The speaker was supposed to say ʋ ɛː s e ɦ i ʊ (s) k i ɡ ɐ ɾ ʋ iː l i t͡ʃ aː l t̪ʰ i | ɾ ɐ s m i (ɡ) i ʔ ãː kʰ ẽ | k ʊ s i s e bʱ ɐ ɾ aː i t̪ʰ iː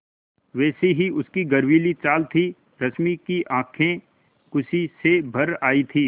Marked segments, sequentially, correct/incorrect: correct, incorrect

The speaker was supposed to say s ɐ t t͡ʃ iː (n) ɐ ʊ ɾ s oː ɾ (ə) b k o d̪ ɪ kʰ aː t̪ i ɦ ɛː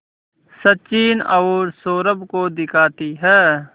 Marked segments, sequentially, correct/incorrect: correct, correct

